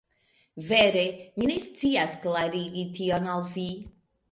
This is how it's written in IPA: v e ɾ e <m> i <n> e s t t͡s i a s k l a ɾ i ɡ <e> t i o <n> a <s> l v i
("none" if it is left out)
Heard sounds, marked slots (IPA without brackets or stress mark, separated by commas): m, n, i, n, none